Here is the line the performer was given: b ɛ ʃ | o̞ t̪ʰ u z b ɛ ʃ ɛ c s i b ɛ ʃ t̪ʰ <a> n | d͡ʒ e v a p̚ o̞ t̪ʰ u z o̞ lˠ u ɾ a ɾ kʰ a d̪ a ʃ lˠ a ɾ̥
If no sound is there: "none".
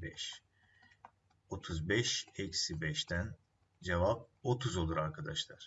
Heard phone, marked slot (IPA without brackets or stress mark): æ